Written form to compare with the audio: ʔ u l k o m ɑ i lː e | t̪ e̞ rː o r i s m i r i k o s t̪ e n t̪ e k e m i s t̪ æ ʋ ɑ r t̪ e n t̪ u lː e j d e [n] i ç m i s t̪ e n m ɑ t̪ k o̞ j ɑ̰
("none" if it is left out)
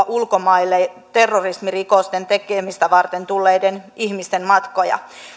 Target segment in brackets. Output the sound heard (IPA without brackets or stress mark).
n